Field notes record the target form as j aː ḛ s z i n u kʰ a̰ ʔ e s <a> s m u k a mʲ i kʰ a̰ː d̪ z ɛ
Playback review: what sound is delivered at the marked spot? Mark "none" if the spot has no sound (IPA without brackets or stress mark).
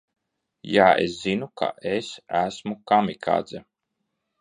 æ